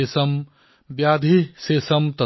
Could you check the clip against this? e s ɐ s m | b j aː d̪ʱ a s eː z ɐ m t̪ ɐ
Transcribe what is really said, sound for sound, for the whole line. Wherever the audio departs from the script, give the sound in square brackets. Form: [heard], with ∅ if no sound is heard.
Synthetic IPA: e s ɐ [∅] m | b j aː d̪ʱ [i] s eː [s] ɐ m t̪ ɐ